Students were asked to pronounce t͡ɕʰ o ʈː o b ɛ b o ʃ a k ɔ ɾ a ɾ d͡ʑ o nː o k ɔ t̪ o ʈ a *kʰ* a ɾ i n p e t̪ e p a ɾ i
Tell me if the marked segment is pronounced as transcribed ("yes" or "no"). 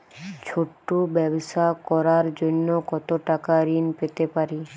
no